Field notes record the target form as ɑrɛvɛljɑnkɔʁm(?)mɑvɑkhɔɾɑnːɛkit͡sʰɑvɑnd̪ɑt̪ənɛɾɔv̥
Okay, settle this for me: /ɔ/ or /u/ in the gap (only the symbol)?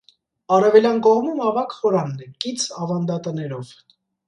u